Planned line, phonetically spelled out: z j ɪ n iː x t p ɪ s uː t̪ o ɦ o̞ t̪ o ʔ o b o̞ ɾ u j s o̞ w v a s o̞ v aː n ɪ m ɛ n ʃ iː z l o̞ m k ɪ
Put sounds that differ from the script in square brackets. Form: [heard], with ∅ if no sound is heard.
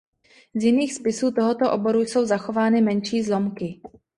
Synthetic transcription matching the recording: z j ɪ n iː x [s] p ɪ s uː t̪ o ɦ o̞ t̪ o ʔ o b o̞ ɾ u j s o̞ w [z] a [x] o̞ v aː n ɪ m ɛ n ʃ iː z l o̞ m k ɪ